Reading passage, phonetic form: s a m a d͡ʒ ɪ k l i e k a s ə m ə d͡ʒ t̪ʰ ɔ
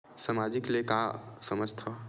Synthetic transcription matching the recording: s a m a d͡ʒ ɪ k l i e k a s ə m ə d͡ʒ t̪ʰ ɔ